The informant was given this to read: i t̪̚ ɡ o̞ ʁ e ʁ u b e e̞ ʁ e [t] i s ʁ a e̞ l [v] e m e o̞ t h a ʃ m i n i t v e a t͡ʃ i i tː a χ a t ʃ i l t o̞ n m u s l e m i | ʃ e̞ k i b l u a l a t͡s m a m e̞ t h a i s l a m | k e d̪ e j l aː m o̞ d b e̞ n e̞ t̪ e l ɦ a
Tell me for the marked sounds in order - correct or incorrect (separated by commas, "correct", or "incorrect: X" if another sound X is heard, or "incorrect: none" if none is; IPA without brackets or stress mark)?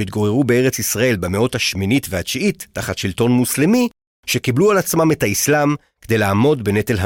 incorrect: t͡s, incorrect: b